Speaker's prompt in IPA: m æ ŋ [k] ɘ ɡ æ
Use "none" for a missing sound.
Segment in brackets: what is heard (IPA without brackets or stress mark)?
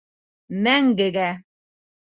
ɡ